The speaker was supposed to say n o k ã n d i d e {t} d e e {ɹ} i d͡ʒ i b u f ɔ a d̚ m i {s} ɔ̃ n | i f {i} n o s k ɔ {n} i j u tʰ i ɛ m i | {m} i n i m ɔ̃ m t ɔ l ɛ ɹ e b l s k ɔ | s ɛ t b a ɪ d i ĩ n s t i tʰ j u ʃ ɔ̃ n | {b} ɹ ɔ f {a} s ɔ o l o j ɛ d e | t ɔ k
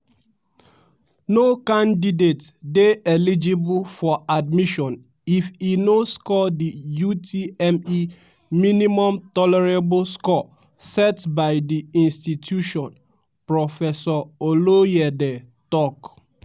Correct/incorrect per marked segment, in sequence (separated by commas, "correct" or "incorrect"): correct, incorrect, incorrect, correct, incorrect, correct, incorrect, incorrect